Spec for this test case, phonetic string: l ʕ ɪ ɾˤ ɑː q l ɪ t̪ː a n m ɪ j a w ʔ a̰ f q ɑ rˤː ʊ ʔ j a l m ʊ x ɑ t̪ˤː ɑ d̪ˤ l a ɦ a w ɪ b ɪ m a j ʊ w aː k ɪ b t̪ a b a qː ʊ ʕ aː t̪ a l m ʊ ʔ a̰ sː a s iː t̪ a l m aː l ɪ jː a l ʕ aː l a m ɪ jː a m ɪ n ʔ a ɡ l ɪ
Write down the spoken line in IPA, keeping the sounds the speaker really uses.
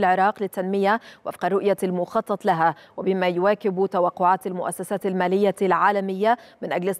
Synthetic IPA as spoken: l ʕ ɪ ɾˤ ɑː q l ɪ t̪ː a n m ɪ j a w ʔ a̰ f q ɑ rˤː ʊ ʔ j a l m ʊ x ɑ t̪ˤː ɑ t̪ˤ l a ɦ a w ɪ b ɪ m a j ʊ w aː k ɪ b t̪ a w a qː ʊ ʕ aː t̪ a l m ʊ ʔ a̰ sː a s aː t̪ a l m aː l ɪ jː a l ʕ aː l a m ɪ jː a m ɪ n ʔ a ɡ l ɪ